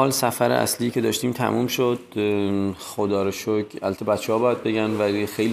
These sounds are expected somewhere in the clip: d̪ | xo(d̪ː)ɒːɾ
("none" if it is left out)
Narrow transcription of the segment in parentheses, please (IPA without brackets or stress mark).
d̪